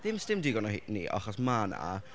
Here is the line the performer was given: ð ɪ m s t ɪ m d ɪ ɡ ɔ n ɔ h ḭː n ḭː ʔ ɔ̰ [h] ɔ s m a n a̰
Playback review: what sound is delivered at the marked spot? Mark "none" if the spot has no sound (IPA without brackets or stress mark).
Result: χ